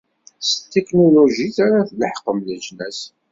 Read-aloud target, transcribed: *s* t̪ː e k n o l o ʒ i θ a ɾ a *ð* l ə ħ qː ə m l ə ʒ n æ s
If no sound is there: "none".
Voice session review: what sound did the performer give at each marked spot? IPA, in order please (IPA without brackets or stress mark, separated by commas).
s, θ